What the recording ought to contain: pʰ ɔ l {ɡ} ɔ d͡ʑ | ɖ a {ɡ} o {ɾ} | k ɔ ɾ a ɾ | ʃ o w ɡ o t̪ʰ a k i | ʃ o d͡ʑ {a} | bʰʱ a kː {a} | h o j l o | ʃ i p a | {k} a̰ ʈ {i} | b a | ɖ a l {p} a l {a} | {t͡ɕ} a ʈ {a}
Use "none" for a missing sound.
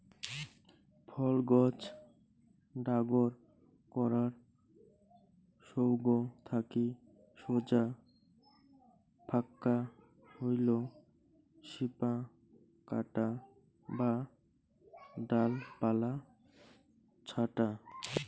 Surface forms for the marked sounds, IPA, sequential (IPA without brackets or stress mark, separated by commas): ɡ, ɡ, ɾ, a, a, k, a, p, a, t͡ɕʰ, a